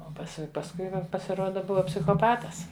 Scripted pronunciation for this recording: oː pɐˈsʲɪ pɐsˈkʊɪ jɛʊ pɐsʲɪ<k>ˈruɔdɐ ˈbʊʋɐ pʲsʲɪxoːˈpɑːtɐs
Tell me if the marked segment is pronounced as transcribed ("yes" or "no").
no